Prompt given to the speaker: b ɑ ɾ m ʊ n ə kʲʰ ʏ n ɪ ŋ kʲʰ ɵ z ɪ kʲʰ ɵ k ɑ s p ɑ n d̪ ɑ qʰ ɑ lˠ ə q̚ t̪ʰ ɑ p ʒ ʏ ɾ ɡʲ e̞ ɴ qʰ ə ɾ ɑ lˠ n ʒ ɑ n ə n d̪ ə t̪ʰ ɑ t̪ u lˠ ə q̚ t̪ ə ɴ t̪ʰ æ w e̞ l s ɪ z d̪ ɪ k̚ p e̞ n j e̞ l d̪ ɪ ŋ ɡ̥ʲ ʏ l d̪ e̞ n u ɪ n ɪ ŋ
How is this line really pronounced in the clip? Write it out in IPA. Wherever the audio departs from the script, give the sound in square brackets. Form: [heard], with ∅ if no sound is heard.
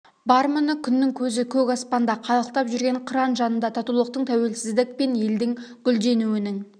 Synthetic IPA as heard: b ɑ ɾ m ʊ n ə kʲʰ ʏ [nː] ɪ ŋ kʲʰ ɵ z ɪ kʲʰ ɵ k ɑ s p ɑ n d̪ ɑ qʰ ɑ lˠ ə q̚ [t̪] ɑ p ʒ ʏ ɾ ɡʲ e̞ ɴ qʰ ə ɾ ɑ [∅] n ʒ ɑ n ə n d̪ [ɑ] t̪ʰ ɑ t̪ u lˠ ə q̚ t̪ ə ɴ t̪ʰ æ w e̞ l s ɪ z d̪ ɪ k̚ p e̞ n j e̞ l d̪ ɪ ŋ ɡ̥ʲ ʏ l d̪ e̞ n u ɪ n ɪ ŋ